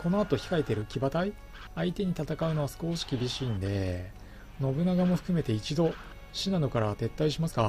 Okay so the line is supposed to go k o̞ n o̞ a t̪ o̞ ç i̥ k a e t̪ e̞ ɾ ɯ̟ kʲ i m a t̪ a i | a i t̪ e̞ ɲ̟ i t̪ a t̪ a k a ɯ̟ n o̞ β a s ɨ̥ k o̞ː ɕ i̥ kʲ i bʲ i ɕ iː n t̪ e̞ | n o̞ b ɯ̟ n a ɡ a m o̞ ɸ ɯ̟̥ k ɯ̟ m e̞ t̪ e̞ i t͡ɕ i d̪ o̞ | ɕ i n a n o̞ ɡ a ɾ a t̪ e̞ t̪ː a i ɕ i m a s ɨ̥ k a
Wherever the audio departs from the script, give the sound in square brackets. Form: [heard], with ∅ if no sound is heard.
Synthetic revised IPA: k o̞ n o̞ a t̪ o̞ ç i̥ k a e t̪ e̞ ɾ ɯ̟ kʲ i [b] a t̪ a i | a i t̪ e̞ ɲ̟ i t̪ a t̪ a k a ɯ̟ n o̞ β a s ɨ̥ k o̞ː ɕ i̥ kʲ i bʲ i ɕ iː n [d̪] e̞ | n o̞ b ɯ̟ n a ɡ a m o̞ ɸ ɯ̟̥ k ɯ̟ m e̞ t̪ e̞ i t͡ɕ i d̪ o̞ | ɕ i n a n o̞ [k] a ɾ a t̪ e̞ t̪ː a i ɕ i m a s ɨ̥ k a